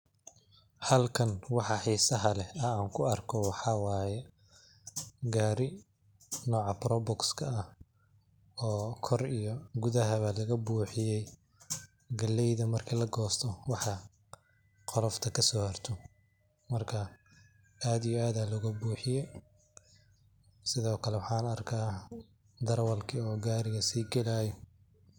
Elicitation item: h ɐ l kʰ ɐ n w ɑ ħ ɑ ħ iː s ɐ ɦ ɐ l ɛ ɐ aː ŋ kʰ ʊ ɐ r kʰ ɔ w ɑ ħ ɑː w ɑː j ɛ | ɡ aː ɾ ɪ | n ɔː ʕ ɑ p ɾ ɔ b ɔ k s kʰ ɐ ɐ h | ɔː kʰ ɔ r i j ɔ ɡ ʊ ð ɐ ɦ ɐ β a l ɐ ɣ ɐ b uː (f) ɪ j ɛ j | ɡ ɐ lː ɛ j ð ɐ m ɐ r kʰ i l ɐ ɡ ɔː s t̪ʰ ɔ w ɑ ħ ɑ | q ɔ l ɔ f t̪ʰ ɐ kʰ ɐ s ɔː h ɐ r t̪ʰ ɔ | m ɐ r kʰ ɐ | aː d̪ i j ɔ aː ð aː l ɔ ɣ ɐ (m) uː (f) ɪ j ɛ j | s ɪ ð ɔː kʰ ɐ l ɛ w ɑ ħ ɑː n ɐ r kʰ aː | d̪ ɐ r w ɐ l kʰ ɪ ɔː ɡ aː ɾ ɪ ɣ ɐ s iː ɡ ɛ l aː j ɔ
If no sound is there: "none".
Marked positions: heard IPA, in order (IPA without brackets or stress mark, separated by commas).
ħ, b, ħ